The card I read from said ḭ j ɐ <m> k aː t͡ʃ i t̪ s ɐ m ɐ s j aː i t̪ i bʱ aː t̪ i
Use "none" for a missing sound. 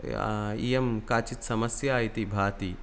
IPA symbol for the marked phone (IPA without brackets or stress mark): m